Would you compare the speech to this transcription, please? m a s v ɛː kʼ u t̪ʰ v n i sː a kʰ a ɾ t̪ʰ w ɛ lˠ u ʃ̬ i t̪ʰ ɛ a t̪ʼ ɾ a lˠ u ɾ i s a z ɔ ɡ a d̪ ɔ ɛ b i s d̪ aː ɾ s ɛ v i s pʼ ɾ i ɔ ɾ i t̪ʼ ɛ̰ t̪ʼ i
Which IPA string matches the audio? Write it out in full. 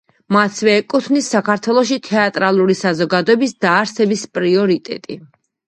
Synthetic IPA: m a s v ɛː kʼ u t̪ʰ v n i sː a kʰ a ɾ t̪ʰ w ɛ lˠ ɔ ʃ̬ i t̪ʰ ɛ a t̪ʼ ɾ a lˠ u ɾ i s a z ɔ ɡ a d̪ ɔ ɛ b i s d̪ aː ɾ s ɛ b i s pʼ ɾ i ɔ ɾ i t̪ʼ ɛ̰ t̪ʼ i